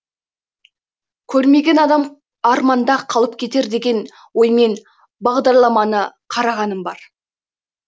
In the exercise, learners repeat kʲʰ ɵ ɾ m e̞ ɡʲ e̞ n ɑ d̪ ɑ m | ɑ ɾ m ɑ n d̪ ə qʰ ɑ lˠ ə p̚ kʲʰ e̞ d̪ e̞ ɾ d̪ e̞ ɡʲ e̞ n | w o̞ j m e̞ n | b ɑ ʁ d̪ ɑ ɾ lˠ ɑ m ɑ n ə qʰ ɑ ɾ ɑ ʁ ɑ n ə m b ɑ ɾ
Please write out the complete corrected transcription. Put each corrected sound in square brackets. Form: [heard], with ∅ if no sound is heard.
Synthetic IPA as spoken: kʲʰ ɵ ɾ m e̞ ɡʲ e̞ n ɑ d̪ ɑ m | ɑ ɾ m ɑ n d̪ [ɑ] qʰ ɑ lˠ ə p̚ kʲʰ e̞ [t̪] e̞ ɾ d̪ e̞ ɡʲ e̞ n | w o̞ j m e̞ n | b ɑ ʁ d̪ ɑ ɾ lˠ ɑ m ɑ n ə qʰ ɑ ɾ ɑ ʁ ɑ n ə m b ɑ ɾ